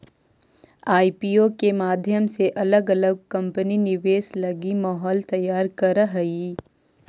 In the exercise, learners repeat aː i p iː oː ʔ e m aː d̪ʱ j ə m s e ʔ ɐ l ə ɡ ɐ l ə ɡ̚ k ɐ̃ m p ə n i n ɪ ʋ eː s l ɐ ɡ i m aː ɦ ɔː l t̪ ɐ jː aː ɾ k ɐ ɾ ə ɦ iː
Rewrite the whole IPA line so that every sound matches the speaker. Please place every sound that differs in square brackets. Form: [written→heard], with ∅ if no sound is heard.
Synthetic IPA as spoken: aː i p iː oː [ʔ→k] e m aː d̪ʱ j ə m s e ʔ ɐ l ə ɡ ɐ l ə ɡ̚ k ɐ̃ m p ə n i n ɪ ʋ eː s l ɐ ɡ i m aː ɦ ɔː l t̪ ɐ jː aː ɾ k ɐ ɾ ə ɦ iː